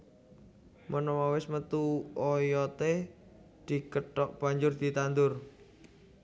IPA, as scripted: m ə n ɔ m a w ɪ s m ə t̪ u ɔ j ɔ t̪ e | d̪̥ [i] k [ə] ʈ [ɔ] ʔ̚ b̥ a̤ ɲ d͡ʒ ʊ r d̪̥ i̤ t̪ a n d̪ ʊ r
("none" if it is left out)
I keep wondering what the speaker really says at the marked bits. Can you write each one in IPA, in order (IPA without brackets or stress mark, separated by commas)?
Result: i, ə, ɔ